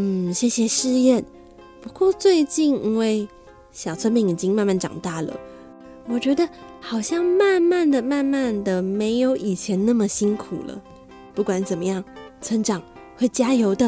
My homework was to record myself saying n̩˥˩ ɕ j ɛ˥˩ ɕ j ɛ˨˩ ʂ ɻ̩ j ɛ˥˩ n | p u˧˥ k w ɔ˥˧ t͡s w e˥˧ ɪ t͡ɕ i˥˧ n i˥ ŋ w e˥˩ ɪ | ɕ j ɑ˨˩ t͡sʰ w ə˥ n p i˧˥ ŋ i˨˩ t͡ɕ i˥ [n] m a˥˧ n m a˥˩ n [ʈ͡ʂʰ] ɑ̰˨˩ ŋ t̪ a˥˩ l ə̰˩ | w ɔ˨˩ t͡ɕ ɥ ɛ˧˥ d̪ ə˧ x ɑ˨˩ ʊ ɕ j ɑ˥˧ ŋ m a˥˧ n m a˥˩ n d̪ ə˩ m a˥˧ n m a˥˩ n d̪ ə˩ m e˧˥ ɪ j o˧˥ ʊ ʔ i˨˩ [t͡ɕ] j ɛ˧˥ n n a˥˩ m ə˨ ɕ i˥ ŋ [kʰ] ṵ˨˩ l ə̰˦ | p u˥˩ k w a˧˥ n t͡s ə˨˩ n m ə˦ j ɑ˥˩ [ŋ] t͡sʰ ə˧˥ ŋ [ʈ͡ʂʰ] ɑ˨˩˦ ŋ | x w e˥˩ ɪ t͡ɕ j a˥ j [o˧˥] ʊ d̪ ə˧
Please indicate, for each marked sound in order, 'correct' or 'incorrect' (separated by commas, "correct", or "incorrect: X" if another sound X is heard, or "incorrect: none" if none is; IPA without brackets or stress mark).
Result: incorrect: ŋ, incorrect: ʈ͡ʂ, incorrect: t͡ɕʰ, correct, correct, incorrect: ʈ͡ʂ, correct